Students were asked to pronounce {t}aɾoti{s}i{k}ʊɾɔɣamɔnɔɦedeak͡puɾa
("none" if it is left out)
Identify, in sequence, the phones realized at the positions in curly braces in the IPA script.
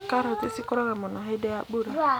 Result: k, s, k

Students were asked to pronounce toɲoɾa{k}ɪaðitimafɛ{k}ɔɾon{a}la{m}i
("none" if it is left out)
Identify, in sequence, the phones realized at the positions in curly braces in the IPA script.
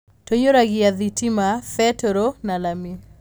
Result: ɡ, t, a, m

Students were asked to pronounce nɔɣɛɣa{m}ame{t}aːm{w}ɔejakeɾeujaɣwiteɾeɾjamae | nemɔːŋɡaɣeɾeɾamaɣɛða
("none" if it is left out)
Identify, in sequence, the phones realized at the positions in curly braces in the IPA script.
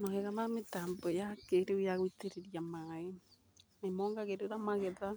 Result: m, t, b

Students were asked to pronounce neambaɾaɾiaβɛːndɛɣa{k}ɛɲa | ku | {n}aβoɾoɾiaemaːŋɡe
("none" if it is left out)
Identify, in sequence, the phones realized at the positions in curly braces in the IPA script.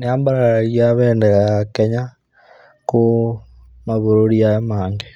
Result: k, m

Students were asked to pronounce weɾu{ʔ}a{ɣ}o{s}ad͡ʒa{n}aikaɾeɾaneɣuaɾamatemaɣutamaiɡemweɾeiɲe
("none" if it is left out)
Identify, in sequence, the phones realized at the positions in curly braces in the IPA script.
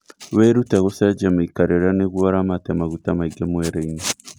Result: t, ɣ, s, m

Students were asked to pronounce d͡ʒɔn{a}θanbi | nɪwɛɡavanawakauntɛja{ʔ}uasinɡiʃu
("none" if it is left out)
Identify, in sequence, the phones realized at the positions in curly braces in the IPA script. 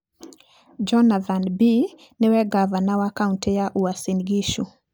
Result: a, ʔ

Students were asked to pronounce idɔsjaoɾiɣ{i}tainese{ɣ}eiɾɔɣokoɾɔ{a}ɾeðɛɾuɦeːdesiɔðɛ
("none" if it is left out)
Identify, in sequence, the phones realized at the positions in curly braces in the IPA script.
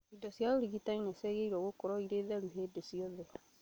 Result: i, ɣ, i

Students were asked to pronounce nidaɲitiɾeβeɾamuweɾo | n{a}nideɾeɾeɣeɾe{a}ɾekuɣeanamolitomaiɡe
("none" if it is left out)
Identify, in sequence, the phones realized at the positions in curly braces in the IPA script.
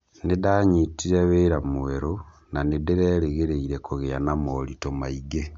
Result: a, i

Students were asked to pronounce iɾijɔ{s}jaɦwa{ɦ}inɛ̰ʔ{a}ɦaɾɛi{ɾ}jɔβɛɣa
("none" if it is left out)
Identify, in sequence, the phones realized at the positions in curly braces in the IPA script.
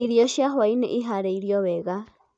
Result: ʃ, none, i, ɾ

